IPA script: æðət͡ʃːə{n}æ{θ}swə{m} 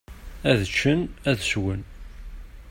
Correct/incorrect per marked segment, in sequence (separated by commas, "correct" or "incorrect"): correct, incorrect, incorrect